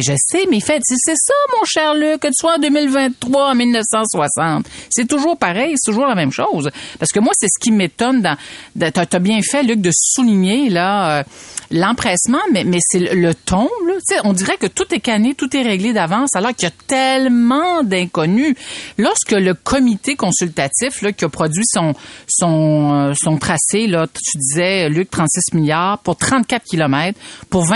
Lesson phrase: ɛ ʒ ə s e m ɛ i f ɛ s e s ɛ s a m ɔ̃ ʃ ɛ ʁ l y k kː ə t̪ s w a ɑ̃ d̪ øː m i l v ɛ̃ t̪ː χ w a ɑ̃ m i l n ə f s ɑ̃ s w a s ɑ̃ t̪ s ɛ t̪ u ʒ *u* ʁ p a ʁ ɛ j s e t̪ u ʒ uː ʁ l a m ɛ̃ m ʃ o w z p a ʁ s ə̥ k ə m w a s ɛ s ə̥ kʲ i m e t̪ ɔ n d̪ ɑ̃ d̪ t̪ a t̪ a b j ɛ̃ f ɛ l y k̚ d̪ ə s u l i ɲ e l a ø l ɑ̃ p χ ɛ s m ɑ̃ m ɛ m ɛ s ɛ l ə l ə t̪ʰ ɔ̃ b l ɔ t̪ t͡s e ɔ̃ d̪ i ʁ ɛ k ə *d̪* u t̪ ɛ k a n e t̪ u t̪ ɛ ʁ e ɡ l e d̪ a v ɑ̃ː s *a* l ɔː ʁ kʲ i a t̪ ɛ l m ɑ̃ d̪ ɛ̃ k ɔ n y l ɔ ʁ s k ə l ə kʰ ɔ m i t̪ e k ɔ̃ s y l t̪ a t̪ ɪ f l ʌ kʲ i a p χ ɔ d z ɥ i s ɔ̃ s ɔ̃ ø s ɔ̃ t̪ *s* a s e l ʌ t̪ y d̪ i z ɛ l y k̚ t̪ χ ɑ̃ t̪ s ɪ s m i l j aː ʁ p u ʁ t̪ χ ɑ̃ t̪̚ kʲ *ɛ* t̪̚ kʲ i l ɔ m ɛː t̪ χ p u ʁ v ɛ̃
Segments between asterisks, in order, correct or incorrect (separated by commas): incorrect, incorrect, correct, incorrect, incorrect